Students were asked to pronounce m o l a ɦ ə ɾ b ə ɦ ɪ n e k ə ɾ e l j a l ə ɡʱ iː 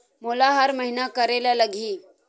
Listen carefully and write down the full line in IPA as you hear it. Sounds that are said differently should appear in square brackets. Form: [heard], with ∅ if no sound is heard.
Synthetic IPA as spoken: m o l a ɦ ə ɾ [m] ə ɦ [i] n [a] k ə ɾ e l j a l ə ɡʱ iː